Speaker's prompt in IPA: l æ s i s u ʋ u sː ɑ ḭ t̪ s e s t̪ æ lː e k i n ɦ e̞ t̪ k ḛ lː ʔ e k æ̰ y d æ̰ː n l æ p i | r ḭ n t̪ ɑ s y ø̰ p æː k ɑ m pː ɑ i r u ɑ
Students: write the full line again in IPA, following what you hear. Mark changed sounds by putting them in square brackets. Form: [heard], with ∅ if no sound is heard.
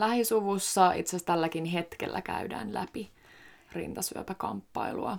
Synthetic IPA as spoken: l æ [h] i s u ʋ u sː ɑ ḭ t̪ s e s t̪ æ lː [æ] k i n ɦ e̞ t̪ k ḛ lː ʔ [æ] k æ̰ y d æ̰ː n l æ p i | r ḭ n t̪ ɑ s y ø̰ p [æ] k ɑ m pː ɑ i [l] u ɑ